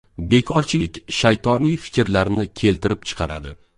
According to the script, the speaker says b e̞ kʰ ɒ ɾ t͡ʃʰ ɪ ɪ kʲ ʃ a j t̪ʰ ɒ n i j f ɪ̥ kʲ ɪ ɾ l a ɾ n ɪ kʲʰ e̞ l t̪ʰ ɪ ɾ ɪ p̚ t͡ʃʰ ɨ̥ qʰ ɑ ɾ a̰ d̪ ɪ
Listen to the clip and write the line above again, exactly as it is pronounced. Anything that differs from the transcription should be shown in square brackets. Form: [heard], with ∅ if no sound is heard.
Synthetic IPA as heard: b e̞ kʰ ɒ ɾ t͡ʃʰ ɪ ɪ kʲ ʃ a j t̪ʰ ɒ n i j f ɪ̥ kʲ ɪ ɾ l a ɾ n ɪ kʲʰ e̞ l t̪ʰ ɪ ɾ ɪ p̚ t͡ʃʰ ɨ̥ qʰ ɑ ɾ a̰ d̪ ɪ